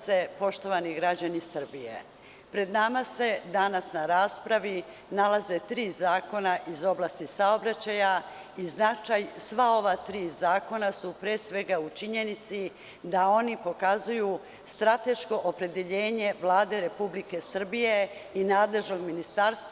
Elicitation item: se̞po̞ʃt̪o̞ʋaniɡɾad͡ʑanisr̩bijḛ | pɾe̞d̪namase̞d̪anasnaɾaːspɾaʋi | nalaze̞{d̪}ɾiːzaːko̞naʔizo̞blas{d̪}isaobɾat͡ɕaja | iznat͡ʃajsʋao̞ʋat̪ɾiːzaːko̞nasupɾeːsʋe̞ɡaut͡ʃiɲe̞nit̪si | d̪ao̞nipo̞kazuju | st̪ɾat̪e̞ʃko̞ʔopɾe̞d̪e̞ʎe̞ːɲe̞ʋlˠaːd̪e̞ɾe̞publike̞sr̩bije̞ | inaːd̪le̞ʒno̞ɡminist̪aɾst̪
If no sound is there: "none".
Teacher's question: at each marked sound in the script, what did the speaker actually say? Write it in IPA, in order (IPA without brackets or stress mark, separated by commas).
t̪, t̪